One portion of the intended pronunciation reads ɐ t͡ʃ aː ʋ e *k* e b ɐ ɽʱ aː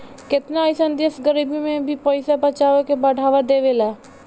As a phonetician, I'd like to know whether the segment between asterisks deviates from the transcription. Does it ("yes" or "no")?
no